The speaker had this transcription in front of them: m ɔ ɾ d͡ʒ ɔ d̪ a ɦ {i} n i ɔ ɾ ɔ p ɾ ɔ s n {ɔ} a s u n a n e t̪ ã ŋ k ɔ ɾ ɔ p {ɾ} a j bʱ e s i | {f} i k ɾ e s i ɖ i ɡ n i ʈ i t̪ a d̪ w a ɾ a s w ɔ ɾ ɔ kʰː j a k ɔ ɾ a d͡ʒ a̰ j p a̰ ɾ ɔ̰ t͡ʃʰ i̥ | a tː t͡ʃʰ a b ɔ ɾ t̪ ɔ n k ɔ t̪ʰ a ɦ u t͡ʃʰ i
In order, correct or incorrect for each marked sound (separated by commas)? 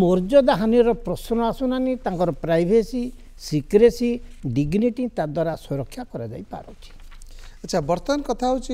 incorrect, correct, correct, incorrect